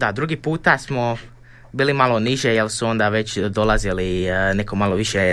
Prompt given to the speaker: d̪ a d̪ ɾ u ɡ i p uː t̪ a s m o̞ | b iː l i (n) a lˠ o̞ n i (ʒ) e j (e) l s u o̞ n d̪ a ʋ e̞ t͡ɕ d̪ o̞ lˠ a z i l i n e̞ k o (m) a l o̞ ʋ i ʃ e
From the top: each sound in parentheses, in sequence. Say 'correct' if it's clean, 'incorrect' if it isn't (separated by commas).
incorrect, correct, correct, correct